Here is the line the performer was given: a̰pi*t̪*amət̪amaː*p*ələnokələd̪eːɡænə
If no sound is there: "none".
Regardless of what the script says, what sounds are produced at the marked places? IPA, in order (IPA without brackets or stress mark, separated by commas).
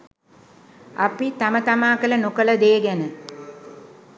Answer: t̪, k